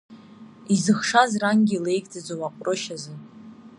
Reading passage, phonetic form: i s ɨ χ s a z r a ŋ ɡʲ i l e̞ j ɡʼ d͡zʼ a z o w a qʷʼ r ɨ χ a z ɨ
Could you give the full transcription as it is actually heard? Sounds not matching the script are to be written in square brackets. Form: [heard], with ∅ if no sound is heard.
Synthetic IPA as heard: i [z] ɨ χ [ʂ] a z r a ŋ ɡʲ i l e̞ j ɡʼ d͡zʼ a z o w a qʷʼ r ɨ [ʃ] a z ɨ